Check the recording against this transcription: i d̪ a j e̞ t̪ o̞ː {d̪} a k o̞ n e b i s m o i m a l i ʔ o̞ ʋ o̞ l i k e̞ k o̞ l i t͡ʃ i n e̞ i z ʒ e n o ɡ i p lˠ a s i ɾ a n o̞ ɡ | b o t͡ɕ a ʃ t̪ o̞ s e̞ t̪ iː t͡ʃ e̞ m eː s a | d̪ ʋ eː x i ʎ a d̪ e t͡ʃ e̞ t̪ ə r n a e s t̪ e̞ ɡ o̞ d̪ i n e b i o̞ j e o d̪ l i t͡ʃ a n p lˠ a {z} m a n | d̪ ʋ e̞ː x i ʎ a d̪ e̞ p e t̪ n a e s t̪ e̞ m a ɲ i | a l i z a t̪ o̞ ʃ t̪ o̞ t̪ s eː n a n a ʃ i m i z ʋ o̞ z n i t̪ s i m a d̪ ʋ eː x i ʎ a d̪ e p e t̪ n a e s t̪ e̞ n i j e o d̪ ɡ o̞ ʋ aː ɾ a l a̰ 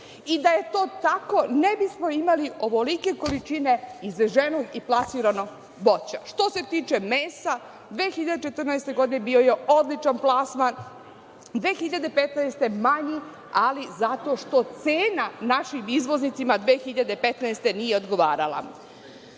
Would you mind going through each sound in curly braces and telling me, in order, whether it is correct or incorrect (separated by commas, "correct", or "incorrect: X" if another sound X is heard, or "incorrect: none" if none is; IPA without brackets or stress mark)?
incorrect: t̪, incorrect: s